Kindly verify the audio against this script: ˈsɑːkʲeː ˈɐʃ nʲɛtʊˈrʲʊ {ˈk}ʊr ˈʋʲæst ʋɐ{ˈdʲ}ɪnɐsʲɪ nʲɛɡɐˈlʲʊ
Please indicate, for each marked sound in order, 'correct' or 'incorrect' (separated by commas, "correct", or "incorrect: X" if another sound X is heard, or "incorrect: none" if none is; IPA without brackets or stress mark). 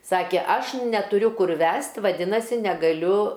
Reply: correct, correct